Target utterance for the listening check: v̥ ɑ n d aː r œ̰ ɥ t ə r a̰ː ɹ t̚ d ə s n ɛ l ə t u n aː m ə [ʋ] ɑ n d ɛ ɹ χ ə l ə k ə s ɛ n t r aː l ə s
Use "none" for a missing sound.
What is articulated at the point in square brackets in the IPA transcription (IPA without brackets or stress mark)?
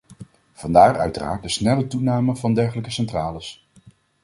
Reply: v